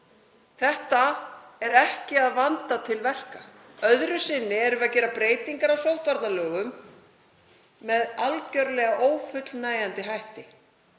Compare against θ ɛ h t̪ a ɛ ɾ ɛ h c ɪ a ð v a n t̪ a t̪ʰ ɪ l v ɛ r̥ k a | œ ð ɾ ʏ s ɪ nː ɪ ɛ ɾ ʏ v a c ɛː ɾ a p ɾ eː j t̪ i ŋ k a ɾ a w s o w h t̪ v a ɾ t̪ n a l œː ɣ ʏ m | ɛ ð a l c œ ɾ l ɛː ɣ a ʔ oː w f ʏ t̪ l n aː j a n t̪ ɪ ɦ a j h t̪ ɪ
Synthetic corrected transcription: θ ɛ h t̪ a ɛ ɾ ɛ h c ɪ a ð v a n t̪ a t̪ʰ ɪ l v ɛ r̥ k a | œ ð ɾ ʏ s ɪ nː ɪ ɛ ɾ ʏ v a c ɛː ɾ a p ɾ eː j t̪ i ŋ k a ɾ a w s o w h t̪ v a ɾ t̪ n a l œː ɣ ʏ m | ɛ ð a l c œ ɾ l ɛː ɣ a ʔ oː w f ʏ t̪ l n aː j a n t̪ ɪ ɦ a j h t̪ ɪ